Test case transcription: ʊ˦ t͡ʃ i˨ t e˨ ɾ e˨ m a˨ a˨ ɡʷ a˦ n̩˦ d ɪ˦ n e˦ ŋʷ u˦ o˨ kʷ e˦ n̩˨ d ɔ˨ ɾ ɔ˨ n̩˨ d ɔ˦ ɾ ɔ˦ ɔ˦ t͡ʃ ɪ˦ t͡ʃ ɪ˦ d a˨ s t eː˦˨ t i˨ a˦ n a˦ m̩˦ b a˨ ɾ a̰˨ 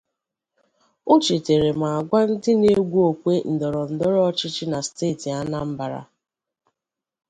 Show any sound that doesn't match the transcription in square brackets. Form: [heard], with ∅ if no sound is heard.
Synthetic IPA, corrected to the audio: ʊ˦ t͡ʃ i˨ t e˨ ɾ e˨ m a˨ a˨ ɡʷ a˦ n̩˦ d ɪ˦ n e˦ [ɡʷ] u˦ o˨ kʷ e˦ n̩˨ d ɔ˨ ɾ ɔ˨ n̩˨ d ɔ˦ ɾ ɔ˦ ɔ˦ t͡ʃ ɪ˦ t͡ʃ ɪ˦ [n] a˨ s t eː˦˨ t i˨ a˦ n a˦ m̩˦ b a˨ ɾ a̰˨

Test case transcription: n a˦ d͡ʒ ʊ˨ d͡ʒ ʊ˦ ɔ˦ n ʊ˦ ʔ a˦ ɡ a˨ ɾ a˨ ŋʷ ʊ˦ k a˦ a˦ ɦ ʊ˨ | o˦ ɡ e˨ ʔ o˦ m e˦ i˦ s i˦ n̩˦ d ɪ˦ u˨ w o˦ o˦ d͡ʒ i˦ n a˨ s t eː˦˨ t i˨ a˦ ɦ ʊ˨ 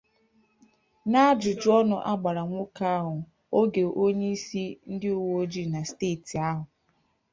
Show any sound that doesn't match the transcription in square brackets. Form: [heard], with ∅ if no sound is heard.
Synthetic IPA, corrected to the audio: n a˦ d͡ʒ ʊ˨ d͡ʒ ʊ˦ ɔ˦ n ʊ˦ ʔ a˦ [ɡ͡b] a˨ ɾ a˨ ŋʷ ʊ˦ k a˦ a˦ ɦ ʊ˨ | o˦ ɡ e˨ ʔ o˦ [ɲ] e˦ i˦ s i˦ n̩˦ d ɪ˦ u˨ w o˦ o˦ d͡ʒ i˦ n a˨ s t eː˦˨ t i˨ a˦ ɦ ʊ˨

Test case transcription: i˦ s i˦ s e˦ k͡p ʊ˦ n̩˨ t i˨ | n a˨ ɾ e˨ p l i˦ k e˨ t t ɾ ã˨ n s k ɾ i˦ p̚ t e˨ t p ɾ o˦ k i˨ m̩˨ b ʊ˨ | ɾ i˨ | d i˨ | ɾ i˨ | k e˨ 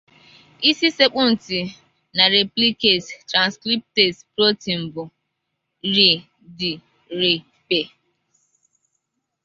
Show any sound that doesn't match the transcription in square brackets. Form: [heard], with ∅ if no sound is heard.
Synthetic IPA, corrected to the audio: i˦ s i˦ s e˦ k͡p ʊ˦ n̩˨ t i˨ | n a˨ ɾ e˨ p l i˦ k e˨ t t ɾ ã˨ n s k ɾ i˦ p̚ t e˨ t p ɾ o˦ [t] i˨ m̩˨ b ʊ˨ | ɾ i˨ | d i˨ | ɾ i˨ | [p] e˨

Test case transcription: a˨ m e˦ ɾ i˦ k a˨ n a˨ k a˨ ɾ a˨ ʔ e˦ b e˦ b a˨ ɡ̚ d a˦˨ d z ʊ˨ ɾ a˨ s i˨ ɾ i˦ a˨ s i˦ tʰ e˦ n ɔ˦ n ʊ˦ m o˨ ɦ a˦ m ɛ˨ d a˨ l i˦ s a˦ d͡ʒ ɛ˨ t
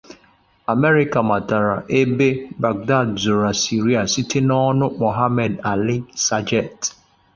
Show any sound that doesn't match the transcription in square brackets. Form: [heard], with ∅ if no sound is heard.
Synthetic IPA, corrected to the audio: a˨ m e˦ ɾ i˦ k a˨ [m] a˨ [t] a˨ ɾ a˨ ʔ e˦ b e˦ b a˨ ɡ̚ d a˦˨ d z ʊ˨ ɾ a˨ s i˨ ɾ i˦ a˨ s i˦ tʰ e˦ n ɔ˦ n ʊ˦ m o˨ ɦ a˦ m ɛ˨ d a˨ l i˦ s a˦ d͡ʒ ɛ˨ t

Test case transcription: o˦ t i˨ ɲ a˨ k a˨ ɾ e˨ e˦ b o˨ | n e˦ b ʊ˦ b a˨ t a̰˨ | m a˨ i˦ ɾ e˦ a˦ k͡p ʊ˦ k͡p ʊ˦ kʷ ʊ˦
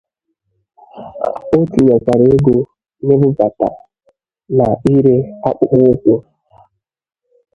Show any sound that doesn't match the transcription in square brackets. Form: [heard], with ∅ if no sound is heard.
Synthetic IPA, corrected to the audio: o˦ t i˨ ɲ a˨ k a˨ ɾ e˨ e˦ [ɡ] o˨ | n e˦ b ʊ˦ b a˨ t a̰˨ | [n] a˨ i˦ ɾ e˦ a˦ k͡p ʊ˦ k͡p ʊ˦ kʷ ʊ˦

